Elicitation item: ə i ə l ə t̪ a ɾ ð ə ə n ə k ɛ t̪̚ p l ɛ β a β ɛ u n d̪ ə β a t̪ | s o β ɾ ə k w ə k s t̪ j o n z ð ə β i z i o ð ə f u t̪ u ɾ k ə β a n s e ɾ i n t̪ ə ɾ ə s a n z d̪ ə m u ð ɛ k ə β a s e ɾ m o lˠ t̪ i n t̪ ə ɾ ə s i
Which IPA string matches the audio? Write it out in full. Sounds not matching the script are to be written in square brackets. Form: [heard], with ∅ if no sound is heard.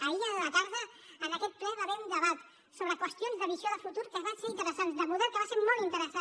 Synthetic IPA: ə i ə l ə t̪ a ɾ ð ə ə n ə k ɛ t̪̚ p l ɛ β a β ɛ u n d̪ ə β a t̪ | s o β ɾ ə k w ə [∅] s t̪ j o n z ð ə β i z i o ð ə f u t̪ u ɾ k ə β a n s e ɾ i n t̪ ə ɾ ə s a n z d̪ ə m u ð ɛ k ə β a s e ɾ m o lˠ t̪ i n t̪ ə ɾ ə s [a]